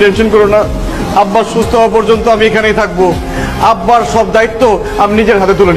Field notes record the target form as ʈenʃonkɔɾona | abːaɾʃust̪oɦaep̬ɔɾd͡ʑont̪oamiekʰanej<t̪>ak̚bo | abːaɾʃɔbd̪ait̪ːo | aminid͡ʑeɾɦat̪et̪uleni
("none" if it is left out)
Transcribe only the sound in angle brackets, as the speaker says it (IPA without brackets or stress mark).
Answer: t̪ʰ